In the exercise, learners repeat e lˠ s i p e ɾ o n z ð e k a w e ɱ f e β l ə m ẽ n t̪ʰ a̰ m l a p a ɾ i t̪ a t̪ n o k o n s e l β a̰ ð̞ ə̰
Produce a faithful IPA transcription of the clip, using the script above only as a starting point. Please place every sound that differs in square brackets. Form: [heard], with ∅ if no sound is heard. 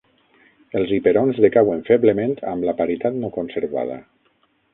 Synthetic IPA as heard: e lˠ [z] i p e ɾ o n z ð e k a w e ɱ f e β l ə m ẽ n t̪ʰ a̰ m l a p a ɾ i t̪ a t̪ n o k o n s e [ɾ] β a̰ ð̞ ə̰